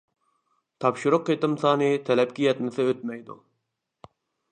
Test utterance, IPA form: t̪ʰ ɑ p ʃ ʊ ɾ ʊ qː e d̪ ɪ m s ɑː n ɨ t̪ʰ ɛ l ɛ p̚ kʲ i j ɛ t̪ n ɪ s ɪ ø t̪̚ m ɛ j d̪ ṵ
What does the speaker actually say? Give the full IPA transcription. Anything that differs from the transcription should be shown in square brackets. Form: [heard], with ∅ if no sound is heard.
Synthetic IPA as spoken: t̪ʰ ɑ p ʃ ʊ ɾ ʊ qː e [t̪] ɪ m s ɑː n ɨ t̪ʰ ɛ l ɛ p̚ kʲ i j ɛ t̪ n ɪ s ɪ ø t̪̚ m ɛ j d̪ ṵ